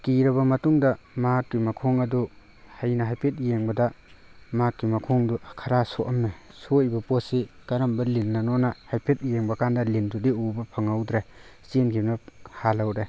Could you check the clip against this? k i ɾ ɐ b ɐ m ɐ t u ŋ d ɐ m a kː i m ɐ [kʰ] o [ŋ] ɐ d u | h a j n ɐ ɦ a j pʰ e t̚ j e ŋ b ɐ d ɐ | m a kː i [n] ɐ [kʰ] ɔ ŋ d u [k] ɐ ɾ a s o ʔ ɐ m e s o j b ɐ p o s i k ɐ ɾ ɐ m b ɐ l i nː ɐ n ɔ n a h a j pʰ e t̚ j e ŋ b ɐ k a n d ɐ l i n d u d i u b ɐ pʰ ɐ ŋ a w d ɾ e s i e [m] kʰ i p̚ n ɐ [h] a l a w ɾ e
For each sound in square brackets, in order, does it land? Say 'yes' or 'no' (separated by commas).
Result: yes, yes, no, yes, no, no, yes